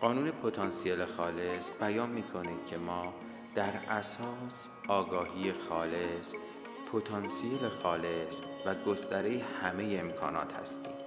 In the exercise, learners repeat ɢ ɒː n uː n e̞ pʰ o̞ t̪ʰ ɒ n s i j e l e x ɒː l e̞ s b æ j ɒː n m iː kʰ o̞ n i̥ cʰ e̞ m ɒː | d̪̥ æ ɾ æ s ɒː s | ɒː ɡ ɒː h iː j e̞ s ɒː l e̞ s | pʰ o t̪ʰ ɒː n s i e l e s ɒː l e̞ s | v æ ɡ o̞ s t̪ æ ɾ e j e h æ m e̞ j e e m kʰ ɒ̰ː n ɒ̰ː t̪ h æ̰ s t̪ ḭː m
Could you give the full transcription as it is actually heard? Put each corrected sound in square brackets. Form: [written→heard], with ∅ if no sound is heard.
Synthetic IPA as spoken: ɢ ɒː n uː n e̞ pʰ o̞ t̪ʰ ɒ n s i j e l e x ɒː l e̞ s b æ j ɒː n m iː kʰ o̞ n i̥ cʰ e̞ m ɒː | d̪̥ æ ɾ æ s ɒː s | ɒː ɡ ɒː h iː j e̞ [s→x] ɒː l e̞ s | pʰ o t̪ʰ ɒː n s i e l e [s→x] ɒː l e̞ s | v æ ɡ o̞ s t̪ æ ɾ e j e h æ m e̞ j e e m kʰ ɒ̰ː n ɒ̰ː t̪ h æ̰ s t̪ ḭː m